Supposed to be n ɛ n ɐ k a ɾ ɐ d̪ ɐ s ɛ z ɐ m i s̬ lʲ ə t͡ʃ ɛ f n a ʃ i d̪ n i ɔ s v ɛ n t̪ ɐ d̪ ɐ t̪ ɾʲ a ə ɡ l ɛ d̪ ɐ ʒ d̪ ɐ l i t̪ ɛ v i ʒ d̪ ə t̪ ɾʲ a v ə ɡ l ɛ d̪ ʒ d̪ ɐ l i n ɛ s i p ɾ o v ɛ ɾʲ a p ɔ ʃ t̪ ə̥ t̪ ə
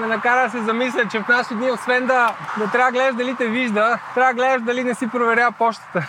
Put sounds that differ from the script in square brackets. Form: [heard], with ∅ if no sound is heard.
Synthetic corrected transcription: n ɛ n ɐ k a ɾ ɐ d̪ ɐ s ɛ z ɐ m i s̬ lʲ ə t͡ʃ ɛ f n a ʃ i d̪ n i [o] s v ɛ n [d̪] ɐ d̪ ɐ t̪ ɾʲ a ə ɡ l ɛ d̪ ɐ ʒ d̪ ɐ l i t̪ ɛ v i ʒ d̪ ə t̪ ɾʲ a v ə ɡ l ɛ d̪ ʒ d̪ ɐ l i n ɛ s i p ɾ o v ɛ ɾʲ a p ɔ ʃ t̪ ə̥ t̪ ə